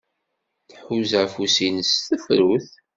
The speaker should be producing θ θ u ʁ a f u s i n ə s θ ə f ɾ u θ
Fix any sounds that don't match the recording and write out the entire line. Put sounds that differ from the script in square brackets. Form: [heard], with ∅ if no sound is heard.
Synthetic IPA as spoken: θ [ħ] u [z] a f u s i n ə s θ ə f ɾ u θ